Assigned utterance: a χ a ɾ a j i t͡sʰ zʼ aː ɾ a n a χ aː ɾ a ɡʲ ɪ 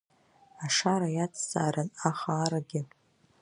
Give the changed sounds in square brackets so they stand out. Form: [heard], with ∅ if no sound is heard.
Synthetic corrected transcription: a [ʂ] a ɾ a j [a] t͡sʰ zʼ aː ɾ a n a χ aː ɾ a ɡʲ ɪ